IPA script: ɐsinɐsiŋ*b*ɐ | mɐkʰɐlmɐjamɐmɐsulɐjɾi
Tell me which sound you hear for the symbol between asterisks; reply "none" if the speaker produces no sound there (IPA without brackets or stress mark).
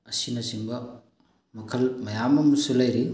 b